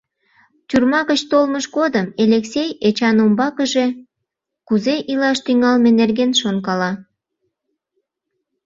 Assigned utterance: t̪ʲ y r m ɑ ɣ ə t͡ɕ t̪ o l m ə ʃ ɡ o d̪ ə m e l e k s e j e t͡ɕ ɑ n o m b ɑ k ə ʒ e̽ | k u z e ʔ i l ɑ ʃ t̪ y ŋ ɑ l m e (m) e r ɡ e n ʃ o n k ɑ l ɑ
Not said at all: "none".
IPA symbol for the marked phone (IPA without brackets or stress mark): n